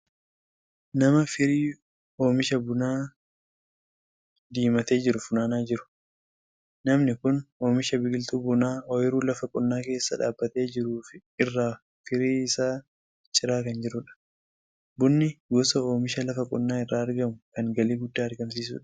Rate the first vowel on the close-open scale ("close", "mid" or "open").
open